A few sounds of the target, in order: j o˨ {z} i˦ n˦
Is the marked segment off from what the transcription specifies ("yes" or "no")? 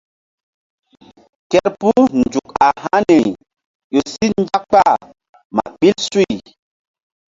yes